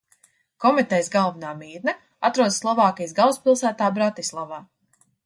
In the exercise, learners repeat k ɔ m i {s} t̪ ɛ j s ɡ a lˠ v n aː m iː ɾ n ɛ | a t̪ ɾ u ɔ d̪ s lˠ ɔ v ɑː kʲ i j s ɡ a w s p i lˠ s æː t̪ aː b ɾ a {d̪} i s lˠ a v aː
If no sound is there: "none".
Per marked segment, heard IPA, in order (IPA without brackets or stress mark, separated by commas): none, t̪